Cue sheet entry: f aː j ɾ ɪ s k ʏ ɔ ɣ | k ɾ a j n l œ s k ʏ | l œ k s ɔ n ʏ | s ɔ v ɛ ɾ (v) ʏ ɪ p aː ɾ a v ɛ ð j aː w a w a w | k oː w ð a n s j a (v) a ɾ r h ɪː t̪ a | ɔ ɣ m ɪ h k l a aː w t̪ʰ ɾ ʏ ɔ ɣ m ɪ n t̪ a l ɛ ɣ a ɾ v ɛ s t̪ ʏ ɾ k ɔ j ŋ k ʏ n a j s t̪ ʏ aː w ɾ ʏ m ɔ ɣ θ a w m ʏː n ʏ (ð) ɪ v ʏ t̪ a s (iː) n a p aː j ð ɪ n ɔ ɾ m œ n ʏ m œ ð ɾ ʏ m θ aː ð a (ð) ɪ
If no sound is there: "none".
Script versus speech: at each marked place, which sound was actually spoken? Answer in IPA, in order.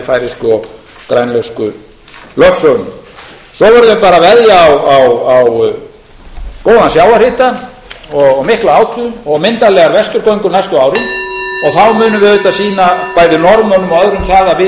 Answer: ð, w, v, iː, v

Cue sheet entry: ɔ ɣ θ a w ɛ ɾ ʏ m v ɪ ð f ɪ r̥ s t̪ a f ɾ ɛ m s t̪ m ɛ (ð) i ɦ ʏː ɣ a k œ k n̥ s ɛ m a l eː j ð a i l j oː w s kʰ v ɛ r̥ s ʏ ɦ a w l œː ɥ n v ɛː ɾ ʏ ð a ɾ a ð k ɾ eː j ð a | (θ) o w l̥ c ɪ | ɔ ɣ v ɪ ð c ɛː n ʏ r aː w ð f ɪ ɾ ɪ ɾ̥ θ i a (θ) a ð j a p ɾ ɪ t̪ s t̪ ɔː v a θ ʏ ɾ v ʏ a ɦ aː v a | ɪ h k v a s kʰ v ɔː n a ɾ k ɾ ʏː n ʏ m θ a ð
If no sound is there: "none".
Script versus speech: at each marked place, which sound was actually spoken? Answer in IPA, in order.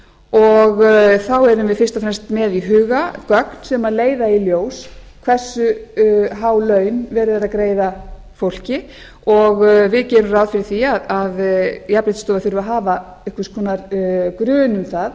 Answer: ð, f, ð

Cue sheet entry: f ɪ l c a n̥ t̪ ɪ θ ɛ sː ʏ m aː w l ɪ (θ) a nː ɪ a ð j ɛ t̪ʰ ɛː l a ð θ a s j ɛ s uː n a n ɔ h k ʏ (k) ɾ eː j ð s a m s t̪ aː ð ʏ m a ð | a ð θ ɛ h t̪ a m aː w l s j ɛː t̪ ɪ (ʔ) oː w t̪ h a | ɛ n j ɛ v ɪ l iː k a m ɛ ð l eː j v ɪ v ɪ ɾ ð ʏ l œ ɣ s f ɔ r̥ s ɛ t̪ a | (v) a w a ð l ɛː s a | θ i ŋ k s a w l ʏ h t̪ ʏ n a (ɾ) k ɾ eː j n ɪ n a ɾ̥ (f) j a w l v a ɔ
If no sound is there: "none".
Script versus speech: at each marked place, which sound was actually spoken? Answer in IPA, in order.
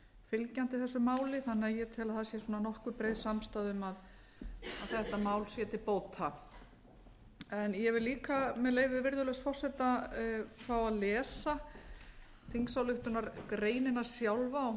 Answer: θ, p, p, f, ɾ, s

